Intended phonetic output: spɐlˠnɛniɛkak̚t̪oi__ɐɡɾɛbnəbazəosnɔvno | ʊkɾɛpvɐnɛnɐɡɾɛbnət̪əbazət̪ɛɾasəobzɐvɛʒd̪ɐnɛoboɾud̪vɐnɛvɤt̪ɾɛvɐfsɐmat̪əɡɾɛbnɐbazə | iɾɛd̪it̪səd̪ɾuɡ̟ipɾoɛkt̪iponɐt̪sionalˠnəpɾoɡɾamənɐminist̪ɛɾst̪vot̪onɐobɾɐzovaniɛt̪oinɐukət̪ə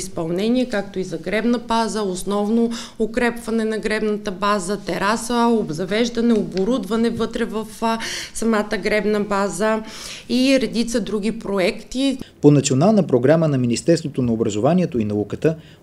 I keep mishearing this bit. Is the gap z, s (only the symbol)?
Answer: z